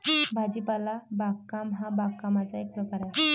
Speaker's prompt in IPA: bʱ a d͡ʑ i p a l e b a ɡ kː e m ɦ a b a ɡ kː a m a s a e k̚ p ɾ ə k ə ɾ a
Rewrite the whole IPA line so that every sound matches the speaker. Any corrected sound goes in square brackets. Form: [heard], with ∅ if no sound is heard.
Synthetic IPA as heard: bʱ a d͡ʑ i p a l [a] b a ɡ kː [a] m ɦ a b a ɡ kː a m a [t͡s] a e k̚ p ɾ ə k [a] ɾ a